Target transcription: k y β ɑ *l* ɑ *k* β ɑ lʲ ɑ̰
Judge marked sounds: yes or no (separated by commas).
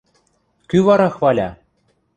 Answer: no, no